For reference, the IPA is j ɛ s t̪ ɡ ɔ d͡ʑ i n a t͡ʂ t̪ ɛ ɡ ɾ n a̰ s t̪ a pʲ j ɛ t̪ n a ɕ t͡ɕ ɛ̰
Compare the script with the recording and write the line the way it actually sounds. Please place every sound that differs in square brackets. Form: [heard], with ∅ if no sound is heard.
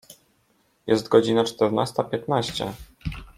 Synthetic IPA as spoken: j ɛ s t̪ ɡ ɔ d͡ʑ i n a t͡ʂ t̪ ɛ [∅] ɾ n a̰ s t̪ a pʲ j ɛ t̪ n a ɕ t͡ɕ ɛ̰

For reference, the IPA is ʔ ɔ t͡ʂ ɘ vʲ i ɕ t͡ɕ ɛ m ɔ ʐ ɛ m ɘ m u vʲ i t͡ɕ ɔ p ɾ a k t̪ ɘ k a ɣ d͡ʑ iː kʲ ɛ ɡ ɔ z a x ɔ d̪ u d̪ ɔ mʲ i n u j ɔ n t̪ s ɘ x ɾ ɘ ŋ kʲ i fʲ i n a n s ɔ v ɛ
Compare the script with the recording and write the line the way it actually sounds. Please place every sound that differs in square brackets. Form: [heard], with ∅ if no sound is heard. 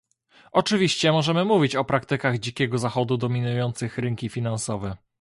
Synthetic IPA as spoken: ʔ ɔ t͡ʂ ɘ vʲ i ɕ t͡ɕ ɛ m ɔ ʐ ɛ m ɘ m u vʲ i t͡ɕ ɔ p ɾ a k t̪ ɘ k a ɣ d͡ʑ [i] kʲ ɛ ɡ ɔ z a x ɔ d̪ u d̪ ɔ mʲ i n u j ɔ n t̪ s ɘ x ɾ ɘ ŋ kʲ i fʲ i n a n s ɔ v ɛ

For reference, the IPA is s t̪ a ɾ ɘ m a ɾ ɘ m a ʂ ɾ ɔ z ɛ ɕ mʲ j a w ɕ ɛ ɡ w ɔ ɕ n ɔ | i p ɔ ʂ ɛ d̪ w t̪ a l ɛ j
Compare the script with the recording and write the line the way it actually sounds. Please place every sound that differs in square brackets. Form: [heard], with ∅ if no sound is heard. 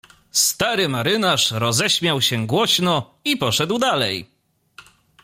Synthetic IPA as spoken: s t̪ a ɾ ɘ m a ɾ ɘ [n] a ʂ ɾ ɔ z ɛ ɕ mʲ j a w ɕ ɛ ɡ w ɔ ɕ n ɔ | i p ɔ ʂ ɛ d̪ w [d̪] a l ɛ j

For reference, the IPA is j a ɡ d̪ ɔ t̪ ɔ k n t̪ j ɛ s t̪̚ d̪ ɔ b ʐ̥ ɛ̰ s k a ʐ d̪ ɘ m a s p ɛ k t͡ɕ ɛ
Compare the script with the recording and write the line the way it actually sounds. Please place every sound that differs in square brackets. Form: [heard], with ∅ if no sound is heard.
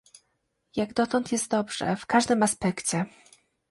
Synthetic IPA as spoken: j a ɡ d̪ ɔ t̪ ɔ [∅] n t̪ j ɛ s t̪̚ d̪ ɔ b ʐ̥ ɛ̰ [f] k a ʐ d̪ ɘ m a s p ɛ k t͡ɕ ɛ

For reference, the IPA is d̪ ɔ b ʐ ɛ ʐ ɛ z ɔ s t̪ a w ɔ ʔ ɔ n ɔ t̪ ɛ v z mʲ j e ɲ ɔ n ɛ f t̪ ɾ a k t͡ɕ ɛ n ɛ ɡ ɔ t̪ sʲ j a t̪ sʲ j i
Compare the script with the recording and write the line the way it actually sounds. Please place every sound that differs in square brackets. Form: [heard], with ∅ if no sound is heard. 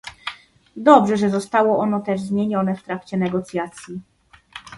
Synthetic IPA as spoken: d̪ ɔ b ʐ ɛ ʐ ɛ z ɔ s t̪ a w ɔ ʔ ɔ n ɔ t̪ ɛ [ʐ] z mʲ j e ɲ ɔ n ɛ f t̪ ɾ a k t͡ɕ ɛ n ɛ ɡ ɔ t̪ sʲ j a t̪ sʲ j i

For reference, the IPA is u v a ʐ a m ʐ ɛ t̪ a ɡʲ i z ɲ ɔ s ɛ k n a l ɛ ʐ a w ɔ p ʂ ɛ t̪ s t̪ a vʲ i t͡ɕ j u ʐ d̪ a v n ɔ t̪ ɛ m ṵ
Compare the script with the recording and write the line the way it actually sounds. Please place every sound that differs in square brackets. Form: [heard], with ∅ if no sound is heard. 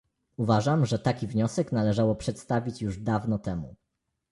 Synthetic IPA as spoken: u v a ʐ a m ʐ ɛ t̪ a [kʲ] i [v] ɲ ɔ s ɛ k n a l ɛ ʐ a w ɔ p ʂ ɛ t̪ s t̪ a vʲ i t͡ɕ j u ʐ d̪ a v n ɔ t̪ ɛ m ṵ

